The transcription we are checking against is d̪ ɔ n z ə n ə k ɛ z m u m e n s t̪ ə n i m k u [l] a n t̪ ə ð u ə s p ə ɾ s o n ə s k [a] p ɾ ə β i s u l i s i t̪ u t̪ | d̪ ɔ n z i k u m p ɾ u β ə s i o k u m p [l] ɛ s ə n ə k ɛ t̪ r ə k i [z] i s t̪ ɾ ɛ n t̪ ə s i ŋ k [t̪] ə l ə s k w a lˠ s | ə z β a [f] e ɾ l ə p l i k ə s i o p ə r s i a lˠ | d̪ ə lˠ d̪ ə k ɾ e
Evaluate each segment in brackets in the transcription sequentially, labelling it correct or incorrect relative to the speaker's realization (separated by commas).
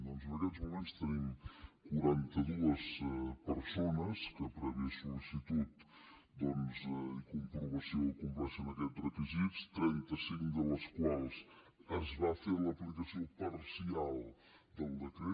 incorrect, incorrect, correct, correct, incorrect, correct